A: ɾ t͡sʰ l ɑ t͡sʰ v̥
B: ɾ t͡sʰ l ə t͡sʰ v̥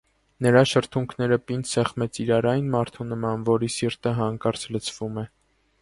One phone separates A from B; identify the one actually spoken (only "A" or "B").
B